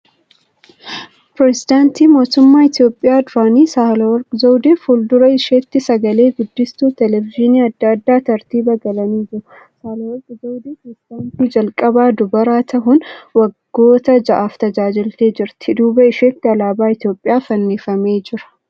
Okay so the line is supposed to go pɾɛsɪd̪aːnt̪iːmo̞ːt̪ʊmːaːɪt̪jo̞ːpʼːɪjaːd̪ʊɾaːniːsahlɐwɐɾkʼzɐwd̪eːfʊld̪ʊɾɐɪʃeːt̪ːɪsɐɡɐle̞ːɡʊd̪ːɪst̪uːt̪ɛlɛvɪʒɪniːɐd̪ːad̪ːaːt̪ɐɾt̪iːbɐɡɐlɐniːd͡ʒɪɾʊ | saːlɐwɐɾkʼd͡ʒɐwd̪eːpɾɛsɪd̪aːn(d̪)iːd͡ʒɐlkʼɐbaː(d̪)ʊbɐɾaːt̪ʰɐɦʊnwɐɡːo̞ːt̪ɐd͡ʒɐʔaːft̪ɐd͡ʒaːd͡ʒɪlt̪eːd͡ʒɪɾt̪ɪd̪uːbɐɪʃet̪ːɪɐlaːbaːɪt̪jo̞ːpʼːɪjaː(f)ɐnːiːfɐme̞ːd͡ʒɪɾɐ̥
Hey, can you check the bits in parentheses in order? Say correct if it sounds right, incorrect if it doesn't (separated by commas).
incorrect, correct, correct